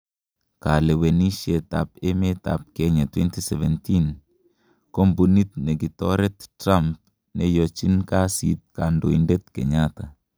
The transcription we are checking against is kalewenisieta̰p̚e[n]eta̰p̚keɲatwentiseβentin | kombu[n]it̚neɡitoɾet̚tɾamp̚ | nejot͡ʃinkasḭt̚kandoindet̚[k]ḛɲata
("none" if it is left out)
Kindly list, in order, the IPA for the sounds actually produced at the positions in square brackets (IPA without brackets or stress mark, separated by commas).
m, n, k